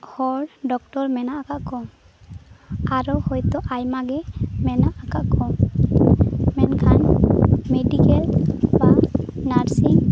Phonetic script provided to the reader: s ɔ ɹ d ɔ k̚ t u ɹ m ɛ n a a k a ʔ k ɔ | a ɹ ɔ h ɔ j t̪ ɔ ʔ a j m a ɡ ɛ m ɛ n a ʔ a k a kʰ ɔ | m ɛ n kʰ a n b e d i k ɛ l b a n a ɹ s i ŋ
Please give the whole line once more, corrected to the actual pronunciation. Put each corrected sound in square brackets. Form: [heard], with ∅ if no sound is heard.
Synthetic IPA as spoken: [h] ɔ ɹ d ɔ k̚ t [ɔ] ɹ m ɛ n a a k a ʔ k ɔ | a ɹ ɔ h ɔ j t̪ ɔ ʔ a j m a ɡ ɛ m ɛ n a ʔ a k a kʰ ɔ | m ɛ n kʰ a n [m] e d i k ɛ l b a n a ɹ s i ŋ